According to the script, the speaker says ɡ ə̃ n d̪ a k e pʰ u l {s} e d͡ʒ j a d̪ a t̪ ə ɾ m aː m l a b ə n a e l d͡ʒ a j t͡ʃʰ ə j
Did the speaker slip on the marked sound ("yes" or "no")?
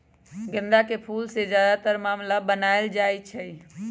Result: no